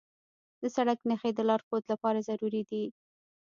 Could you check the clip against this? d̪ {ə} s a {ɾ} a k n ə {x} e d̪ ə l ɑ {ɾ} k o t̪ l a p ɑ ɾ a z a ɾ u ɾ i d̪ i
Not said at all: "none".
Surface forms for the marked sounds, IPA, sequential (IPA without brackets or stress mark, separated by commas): ə, ɽ, x, ɾ